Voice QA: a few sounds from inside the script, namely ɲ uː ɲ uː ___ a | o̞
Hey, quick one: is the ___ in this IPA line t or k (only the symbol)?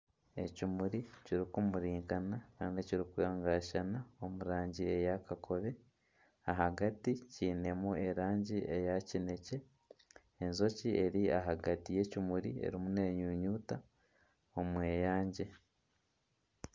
t